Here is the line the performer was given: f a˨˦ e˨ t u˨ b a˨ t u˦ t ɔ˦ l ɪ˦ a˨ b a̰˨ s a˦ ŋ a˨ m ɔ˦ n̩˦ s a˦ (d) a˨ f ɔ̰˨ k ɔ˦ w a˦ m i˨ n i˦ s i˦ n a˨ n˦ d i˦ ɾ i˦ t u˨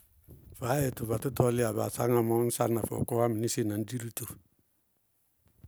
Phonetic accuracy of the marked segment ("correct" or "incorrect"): incorrect